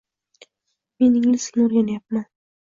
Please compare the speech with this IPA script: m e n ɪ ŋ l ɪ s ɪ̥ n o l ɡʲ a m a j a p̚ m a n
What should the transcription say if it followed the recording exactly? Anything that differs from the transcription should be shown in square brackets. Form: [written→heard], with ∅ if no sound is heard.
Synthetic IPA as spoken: m e n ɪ ŋ l ɪ s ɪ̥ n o [l→ɾ] ɡʲ a [m→n] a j a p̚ m a n